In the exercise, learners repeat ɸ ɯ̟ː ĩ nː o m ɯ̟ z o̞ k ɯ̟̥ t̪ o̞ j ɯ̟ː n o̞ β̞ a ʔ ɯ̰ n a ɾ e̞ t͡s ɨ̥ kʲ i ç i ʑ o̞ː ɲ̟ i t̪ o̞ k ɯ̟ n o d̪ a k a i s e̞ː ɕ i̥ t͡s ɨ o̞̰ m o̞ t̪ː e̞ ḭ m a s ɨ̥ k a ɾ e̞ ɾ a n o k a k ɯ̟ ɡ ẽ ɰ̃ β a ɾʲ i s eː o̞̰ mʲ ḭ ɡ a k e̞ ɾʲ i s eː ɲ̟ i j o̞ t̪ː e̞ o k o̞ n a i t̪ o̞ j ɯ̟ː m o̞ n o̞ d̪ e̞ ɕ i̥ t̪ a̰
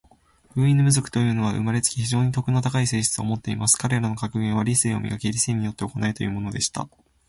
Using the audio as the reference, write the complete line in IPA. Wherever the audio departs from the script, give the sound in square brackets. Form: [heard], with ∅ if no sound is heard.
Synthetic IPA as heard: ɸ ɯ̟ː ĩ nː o m ɯ̟ z o̞ k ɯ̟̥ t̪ o̞ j ɯ̟ː n o̞ β̞ a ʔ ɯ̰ [m] a ɾ e̞ t͡s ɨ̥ kʲ i ç i ʑ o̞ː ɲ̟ i t̪ o̞ k ɯ̟ n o [t̪] a k a i s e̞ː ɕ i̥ t͡s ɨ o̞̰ m o̞ t̪ː e̞ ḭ m a s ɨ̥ k a ɾ e̞ ɾ a n o k a k ɯ̟ ɡ ẽ ɰ̃ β a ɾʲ i s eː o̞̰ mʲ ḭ ɡ a k e̞ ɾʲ i s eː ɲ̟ i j o̞ t̪ː e̞ o k o̞ n a i t̪ o̞ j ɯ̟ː m o̞ n o̞ d̪ e̞ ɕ i̥ t̪ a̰